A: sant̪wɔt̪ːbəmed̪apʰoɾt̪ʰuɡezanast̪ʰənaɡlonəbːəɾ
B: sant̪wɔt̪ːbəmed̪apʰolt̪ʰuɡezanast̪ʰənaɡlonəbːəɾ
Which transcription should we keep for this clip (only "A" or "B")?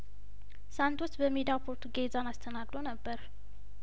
A